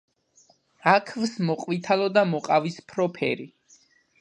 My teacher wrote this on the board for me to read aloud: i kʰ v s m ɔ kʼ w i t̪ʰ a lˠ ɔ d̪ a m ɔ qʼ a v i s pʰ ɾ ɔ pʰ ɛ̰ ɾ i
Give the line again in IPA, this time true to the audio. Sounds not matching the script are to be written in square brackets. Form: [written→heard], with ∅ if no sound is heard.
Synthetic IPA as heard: [i→a] kʰ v s m ɔ [kʼ→qʼ] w i t̪ʰ a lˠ ɔ d̪ a m ɔ qʼ a v i s pʰ ɾ ɔ pʰ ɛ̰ ɾ i